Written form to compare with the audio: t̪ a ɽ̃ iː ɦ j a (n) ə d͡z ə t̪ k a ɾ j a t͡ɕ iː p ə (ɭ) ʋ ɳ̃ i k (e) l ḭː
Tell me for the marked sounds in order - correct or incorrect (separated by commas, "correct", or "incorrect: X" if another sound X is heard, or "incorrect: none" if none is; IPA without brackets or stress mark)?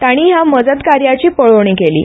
incorrect: m, correct, correct